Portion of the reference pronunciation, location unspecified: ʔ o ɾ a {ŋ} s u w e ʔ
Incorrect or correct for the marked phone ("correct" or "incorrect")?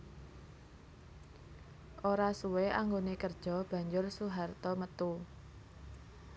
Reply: incorrect